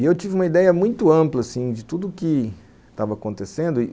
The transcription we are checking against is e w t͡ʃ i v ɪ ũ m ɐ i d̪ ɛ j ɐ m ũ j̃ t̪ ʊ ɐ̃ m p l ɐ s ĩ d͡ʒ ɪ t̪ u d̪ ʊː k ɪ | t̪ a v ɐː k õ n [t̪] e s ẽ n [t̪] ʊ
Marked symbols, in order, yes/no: yes, no

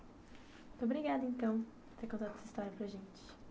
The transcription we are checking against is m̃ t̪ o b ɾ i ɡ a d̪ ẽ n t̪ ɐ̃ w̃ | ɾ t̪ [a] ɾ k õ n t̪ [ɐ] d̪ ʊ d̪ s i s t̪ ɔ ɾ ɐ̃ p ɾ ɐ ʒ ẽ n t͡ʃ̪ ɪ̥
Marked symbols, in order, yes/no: no, no

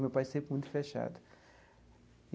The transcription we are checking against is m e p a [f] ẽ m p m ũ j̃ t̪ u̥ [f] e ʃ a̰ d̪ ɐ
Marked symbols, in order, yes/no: no, yes

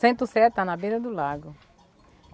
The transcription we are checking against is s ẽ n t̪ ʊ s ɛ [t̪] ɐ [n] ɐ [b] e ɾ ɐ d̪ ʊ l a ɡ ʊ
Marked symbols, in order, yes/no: yes, yes, yes

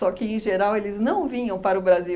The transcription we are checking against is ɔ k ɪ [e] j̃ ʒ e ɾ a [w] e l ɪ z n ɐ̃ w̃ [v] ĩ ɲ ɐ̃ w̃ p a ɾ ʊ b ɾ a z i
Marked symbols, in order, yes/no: no, yes, yes

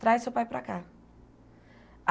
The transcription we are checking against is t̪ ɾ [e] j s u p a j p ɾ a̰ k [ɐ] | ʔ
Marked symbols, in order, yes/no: no, no

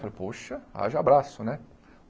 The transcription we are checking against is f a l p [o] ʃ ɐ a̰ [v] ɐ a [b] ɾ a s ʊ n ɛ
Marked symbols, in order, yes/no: yes, no, yes

